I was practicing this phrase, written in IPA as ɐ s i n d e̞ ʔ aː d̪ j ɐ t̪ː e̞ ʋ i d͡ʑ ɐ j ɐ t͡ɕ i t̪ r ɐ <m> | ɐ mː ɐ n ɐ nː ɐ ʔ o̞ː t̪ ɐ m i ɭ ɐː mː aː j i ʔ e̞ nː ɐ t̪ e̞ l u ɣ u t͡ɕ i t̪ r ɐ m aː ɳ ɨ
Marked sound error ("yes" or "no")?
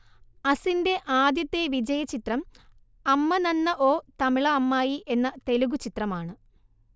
no